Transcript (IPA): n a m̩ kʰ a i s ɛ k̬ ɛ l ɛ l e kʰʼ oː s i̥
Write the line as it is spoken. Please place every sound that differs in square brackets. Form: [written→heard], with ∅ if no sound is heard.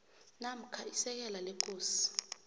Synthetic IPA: n a m̩ kʰ a i s ɛ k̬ ɛ l [ɛ→a] l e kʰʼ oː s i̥